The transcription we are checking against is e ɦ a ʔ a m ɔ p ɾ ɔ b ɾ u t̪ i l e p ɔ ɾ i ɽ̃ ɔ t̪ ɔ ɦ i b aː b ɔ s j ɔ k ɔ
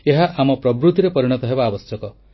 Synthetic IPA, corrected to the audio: e ɦ a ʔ a m ɔ p ɾ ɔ b ɾ u t̪ i ɾ e p ɔ ɾ i ɽ̃ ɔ t̪ ɔ ɦ e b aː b ɔ s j ɔ k ɔ